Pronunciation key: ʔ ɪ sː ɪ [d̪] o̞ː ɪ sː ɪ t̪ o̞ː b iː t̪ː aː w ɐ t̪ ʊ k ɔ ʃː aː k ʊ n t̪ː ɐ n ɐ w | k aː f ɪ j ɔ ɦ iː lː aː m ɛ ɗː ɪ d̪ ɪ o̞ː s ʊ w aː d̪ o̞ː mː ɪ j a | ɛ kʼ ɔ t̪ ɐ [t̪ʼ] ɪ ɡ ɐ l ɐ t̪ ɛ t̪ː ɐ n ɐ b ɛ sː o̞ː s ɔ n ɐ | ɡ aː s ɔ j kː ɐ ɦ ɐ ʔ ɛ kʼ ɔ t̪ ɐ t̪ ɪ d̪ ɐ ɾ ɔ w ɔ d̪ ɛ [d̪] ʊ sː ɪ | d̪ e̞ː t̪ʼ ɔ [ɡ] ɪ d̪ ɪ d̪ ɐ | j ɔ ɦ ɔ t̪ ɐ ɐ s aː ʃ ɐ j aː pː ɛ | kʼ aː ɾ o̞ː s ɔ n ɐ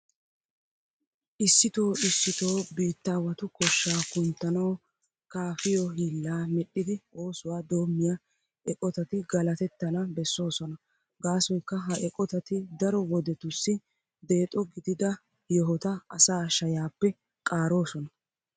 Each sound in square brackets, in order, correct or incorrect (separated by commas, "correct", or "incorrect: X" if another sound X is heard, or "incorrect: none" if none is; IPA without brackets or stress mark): incorrect: t̪, incorrect: t̪, incorrect: t̪, correct